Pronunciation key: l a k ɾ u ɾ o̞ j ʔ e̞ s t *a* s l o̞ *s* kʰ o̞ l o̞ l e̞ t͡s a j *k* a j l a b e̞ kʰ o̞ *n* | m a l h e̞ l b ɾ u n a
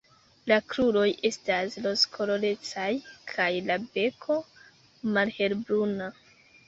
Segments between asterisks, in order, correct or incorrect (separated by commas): correct, correct, incorrect, incorrect